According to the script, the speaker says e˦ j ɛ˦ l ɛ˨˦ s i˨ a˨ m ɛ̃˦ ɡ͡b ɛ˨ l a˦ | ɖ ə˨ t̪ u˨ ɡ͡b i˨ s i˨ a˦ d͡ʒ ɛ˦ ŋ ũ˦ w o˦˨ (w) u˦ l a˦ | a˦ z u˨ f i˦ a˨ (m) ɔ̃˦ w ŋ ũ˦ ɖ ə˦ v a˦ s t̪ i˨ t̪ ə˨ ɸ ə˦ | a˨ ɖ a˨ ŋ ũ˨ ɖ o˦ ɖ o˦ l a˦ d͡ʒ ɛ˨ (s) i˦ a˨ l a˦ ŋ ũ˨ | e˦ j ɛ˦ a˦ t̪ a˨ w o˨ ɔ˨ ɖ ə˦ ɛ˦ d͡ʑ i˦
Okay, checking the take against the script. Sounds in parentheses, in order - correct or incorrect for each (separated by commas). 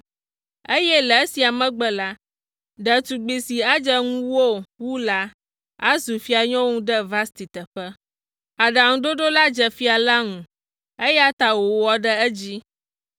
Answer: correct, incorrect, incorrect